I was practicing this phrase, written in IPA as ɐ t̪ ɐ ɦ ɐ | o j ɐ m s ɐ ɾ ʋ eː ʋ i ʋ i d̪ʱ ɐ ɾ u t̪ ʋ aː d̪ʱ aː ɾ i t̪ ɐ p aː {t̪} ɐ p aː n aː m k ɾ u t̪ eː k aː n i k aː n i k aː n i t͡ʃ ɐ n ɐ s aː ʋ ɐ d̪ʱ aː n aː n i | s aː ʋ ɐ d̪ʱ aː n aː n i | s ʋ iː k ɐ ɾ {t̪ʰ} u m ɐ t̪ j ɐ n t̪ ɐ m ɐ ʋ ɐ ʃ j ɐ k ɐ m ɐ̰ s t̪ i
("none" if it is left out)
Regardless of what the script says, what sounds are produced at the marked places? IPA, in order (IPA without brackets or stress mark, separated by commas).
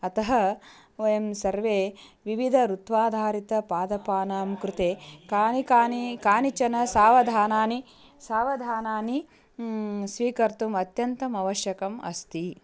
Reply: d̪, t̪